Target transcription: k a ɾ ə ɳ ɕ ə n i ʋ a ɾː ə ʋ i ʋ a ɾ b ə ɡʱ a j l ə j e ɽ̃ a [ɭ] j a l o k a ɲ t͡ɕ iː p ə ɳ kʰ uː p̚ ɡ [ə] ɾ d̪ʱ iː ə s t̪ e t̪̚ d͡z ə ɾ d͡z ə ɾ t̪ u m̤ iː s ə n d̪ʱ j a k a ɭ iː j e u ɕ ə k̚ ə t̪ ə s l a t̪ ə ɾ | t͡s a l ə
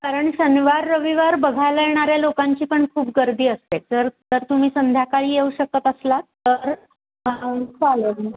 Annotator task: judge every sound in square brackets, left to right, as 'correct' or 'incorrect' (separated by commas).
incorrect, correct